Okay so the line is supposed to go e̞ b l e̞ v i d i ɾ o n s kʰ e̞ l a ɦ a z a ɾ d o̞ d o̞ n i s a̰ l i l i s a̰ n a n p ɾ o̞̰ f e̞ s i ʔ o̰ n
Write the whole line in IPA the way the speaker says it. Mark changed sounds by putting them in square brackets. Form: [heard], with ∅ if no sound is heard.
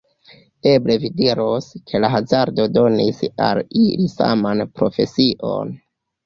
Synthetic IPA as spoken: e̞ b l e̞ v i d i ɾ o [∅] s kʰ e̞ l a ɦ a z a ɾ d o̞ d o̞ n i s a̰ l i l i s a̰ [m] a n p ɾ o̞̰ f e̞ s i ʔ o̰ n